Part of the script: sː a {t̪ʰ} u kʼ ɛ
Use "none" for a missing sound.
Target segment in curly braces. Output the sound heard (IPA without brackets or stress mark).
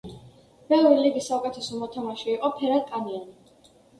none